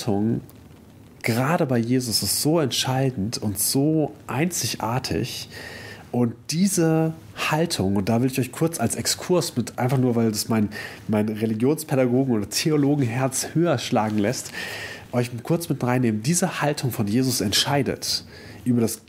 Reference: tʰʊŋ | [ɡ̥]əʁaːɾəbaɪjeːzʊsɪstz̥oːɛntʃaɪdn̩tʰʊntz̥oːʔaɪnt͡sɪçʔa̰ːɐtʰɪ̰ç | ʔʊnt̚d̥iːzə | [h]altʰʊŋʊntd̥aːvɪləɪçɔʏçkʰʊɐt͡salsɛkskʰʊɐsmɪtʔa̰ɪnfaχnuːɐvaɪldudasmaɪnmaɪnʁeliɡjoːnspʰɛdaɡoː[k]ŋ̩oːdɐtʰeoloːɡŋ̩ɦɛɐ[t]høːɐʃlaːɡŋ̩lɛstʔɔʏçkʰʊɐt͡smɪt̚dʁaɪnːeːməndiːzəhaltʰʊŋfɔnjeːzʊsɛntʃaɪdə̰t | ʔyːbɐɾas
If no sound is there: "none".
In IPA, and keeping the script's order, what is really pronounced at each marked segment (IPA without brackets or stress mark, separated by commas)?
ɡ̥, h, ɡ, t͡s